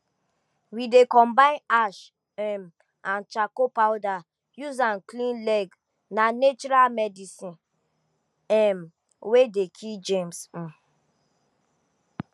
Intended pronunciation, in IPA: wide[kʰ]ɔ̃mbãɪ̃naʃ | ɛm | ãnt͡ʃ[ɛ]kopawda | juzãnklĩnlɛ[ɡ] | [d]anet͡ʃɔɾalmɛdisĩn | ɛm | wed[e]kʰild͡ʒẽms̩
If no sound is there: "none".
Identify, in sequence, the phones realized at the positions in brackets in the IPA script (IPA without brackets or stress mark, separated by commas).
k, a, ɡ, n, e